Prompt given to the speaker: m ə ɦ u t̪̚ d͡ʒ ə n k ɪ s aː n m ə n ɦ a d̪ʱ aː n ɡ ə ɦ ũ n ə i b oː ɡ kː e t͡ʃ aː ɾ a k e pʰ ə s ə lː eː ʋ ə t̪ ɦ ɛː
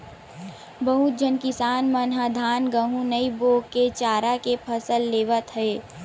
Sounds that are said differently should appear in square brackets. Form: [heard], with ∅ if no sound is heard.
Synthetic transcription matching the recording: [b] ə ɦ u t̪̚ d͡ʒ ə n k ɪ s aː n m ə n ɦ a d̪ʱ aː n ɡ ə ɦ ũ n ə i b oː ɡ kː e t͡ʃ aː ɾ a k e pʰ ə s ə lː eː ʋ ə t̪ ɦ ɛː